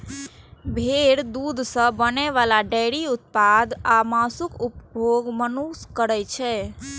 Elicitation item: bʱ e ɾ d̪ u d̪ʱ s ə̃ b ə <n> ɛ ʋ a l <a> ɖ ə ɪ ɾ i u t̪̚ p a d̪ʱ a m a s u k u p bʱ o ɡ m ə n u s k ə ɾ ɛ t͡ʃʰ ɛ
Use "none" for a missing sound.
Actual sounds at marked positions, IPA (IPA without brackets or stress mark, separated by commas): n, a